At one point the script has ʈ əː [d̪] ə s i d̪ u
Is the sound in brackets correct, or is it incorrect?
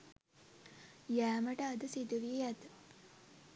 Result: correct